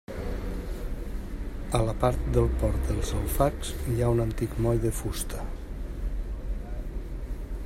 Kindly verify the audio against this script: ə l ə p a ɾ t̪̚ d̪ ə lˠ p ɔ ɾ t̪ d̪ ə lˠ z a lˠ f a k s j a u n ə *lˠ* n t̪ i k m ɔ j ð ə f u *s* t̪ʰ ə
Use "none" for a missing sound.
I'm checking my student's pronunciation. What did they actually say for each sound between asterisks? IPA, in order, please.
none, s

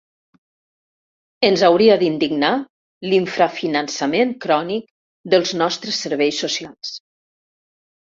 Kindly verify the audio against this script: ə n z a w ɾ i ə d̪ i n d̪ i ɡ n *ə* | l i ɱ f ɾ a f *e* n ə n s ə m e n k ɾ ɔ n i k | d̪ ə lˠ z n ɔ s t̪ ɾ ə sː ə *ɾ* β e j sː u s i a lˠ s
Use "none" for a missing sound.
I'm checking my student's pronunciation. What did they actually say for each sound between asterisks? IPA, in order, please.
a, i, ɾ

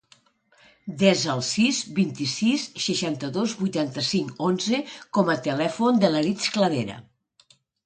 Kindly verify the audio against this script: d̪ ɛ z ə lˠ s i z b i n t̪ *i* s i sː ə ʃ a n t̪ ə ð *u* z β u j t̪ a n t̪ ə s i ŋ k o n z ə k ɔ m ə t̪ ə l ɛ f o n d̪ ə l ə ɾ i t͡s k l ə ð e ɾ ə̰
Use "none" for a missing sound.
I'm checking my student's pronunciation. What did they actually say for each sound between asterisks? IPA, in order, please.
i, o

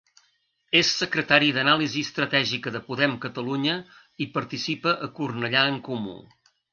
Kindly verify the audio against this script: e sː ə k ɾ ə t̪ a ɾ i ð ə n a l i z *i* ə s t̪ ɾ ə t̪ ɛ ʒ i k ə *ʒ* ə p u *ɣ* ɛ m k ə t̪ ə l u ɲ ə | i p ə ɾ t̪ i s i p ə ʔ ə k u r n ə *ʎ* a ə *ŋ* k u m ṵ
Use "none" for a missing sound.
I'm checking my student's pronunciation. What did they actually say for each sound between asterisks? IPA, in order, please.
i, ð, ð, ʎ, ŋ

